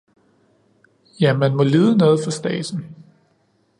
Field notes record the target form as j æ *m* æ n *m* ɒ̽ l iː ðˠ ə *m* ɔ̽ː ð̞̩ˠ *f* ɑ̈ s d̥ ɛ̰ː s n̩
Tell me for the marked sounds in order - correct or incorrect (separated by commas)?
correct, correct, incorrect, correct